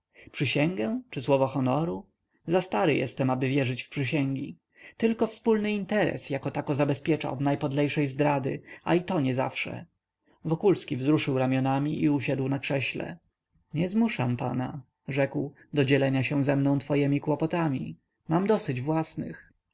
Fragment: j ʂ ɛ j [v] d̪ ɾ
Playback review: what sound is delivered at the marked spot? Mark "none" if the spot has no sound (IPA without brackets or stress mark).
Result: z